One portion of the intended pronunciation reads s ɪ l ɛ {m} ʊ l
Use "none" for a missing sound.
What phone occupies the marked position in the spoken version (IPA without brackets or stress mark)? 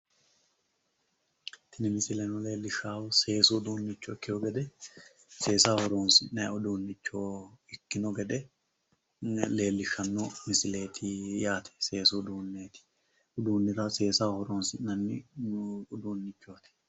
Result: n